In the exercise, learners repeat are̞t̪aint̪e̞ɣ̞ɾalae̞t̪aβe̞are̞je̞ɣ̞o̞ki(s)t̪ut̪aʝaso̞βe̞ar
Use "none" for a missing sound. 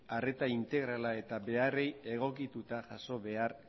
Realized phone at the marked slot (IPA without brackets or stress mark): none